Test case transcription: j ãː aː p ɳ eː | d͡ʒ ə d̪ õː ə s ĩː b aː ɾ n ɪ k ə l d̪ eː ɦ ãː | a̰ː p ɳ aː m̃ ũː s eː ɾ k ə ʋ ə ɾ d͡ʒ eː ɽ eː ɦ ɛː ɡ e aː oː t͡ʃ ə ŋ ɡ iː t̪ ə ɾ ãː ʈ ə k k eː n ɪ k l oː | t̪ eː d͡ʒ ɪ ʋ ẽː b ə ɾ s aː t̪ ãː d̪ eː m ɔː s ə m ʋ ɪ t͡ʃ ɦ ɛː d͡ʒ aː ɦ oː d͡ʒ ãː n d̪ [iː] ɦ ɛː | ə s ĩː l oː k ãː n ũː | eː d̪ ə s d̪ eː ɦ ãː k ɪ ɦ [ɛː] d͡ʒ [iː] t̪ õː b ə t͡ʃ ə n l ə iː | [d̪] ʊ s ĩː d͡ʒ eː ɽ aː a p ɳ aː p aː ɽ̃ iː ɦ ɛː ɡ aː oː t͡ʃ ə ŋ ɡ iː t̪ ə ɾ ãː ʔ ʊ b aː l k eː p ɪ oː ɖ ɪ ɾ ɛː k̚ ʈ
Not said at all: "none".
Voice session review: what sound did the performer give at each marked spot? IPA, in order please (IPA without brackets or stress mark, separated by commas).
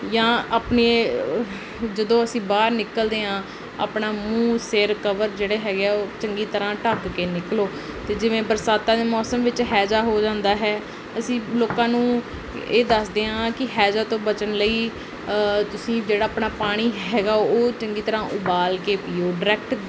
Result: aː, ɛː, aː, t̪